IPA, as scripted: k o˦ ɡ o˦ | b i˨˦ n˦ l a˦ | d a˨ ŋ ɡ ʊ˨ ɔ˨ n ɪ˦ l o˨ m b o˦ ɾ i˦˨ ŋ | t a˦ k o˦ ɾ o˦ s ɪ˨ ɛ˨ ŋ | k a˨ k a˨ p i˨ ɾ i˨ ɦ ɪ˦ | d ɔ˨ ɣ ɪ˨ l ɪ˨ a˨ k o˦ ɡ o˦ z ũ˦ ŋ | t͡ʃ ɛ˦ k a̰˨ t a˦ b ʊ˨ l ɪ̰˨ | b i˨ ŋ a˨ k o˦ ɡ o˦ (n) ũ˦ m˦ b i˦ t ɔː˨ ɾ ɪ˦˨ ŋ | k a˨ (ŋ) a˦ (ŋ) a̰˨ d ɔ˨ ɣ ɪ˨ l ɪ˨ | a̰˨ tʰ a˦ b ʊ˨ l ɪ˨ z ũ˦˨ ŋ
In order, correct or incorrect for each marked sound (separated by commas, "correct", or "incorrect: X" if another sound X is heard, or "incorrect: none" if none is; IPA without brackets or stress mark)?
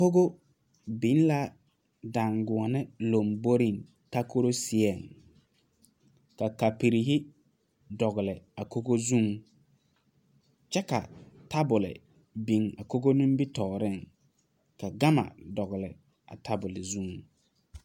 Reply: correct, incorrect: ɡ, incorrect: m